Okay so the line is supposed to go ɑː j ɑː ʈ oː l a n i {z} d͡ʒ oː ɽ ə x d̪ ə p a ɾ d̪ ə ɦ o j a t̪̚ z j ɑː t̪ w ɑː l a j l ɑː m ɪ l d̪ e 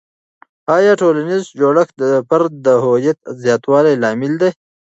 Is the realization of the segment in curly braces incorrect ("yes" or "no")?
no